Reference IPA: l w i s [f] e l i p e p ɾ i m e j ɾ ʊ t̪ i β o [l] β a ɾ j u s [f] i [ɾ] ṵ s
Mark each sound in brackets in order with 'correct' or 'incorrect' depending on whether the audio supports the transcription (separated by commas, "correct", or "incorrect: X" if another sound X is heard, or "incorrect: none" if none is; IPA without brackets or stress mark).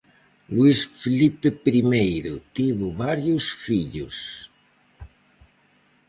correct, incorrect: none, correct, incorrect: ʎ